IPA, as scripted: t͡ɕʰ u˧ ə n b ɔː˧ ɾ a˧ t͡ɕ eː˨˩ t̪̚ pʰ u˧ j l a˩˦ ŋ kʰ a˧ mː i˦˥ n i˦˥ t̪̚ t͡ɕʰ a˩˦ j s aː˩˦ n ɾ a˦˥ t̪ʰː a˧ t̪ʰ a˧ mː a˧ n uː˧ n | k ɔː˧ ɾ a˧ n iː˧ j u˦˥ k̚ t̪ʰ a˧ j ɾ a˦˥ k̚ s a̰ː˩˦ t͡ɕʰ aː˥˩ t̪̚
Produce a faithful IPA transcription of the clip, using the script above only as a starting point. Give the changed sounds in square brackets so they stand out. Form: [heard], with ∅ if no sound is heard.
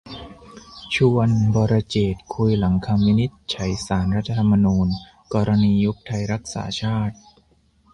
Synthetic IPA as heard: t͡ɕʰ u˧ ə n b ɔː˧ ɾ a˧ t͡ɕ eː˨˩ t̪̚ [kʰ] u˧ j l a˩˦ ŋ kʰ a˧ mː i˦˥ n i˦˥ t̪̚ t͡ɕʰ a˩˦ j s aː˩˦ n ɾ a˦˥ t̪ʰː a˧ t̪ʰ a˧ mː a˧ n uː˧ n | k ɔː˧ ɾ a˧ n iː˧ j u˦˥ k̚ t̪ʰ a˧ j ɾ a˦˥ k̚ s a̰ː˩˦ t͡ɕʰ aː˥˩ t̪̚